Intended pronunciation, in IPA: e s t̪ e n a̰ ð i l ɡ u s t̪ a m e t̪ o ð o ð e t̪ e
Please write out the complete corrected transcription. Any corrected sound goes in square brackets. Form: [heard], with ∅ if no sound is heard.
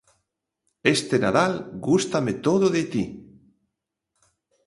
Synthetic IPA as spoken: e s t̪ e n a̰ ð [a] l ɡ u s t̪ a m e t̪ o ð o ð e t̪ [i]